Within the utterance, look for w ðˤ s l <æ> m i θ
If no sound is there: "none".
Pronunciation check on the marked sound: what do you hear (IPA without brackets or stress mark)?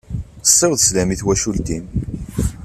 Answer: æ